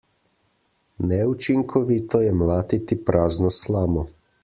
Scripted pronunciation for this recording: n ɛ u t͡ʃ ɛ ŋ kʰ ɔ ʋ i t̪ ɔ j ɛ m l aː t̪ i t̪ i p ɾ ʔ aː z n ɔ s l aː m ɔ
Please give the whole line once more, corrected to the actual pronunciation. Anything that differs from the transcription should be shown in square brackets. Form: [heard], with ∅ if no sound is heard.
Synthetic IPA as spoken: n ɛ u t͡ʃ [i] ŋ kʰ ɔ ʋ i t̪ ɔ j ɛ m l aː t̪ i t̪ i p ɾ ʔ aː z n ɔ s l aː m ɔ